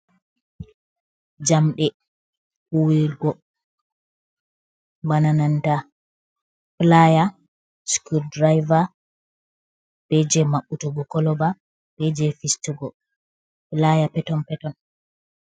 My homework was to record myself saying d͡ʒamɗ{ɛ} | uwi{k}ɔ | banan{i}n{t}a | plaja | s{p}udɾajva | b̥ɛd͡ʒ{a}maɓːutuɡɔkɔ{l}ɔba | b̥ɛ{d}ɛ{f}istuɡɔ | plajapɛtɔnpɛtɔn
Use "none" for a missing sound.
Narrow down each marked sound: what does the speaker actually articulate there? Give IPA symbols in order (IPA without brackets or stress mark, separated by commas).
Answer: ɛ, ɡ, a, t, k, ɛ, l, d͡ʒ, f